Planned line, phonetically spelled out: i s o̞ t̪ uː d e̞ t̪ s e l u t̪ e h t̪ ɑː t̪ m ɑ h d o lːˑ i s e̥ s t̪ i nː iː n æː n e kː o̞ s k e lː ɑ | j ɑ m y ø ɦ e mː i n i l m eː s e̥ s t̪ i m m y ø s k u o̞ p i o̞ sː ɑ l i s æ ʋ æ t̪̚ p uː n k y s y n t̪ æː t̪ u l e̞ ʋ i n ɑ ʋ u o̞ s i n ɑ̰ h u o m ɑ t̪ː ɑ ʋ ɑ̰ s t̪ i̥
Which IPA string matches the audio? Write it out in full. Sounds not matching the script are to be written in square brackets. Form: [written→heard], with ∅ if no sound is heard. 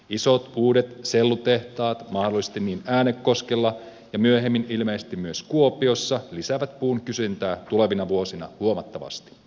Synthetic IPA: i s o̞ t̪ uː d e̞ t̪ s e [l→lː] u t̪ e h t̪ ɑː t̪ m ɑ h d o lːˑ i s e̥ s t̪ i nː iː n æː n e kː o̞ s k e lː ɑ | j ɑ m y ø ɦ e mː i n i l m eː s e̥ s t̪ i m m y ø s k u o̞ p i o̞ sː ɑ l i s æ ʋ æ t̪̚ p uː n k y s y n t̪ æː t̪ u l e̞ ʋ i n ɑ ʋ u o̞ s i n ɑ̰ h u o m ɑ t̪ː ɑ ʋ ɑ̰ s t̪ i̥